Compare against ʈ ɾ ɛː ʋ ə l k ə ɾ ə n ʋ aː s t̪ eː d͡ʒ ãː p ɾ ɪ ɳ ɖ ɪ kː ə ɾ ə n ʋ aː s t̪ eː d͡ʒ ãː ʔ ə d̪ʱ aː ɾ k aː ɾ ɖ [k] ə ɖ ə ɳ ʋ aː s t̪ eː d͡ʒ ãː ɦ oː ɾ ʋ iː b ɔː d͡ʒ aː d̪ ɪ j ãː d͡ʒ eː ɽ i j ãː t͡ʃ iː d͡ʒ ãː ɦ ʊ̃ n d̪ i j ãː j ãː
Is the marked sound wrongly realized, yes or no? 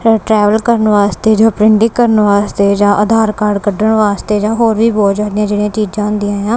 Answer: no